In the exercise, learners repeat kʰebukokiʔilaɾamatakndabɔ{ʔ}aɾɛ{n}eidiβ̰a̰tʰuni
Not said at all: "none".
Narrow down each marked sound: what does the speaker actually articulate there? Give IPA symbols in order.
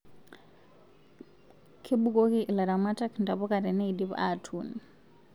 k, n

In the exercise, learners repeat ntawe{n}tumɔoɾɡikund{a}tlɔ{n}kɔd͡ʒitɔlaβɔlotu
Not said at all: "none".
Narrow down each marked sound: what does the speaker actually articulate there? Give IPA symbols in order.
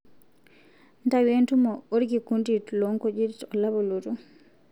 n, i, ŋ

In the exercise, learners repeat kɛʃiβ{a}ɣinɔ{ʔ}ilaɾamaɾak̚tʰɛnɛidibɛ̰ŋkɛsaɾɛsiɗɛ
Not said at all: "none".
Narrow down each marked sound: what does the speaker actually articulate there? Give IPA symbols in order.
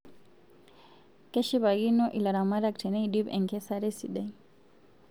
a, ʔ

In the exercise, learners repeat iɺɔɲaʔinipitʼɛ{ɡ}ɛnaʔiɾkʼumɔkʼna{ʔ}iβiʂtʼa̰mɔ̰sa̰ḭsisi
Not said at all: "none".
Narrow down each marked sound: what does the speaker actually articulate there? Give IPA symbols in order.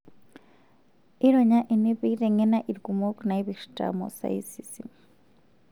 ŋ, none

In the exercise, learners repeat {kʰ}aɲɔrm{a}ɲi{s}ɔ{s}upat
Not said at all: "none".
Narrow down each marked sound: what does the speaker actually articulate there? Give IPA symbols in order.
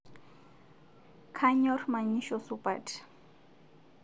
kʰ, a, ʃ, s

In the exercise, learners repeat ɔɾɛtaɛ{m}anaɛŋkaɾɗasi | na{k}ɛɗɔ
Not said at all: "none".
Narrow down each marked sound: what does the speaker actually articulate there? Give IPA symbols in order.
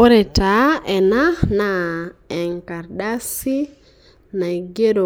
n, ɡ

